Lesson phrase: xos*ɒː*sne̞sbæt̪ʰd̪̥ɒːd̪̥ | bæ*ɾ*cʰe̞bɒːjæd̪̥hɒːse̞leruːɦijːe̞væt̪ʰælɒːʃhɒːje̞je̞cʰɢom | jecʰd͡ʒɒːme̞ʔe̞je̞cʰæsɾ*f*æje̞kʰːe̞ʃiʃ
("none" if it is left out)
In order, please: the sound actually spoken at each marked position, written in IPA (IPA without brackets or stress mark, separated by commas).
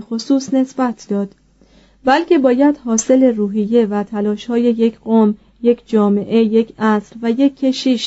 uː, l, v